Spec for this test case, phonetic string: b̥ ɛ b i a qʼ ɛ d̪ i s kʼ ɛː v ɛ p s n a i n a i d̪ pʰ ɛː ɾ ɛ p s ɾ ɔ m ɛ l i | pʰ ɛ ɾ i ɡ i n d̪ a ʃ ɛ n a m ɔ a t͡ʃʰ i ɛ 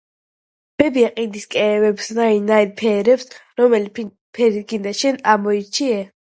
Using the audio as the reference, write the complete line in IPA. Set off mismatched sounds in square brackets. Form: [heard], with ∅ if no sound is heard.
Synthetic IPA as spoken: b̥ ɛ b i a qʼ [i] d̪ i s kʼ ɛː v ɛ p s n a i n a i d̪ pʰ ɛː ɾ ɛ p s ɾ ɔ m ɛ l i | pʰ ɛ ɾ i ɡ i n d̪ a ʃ ɛ n a m ɔ [i] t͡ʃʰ i ɛ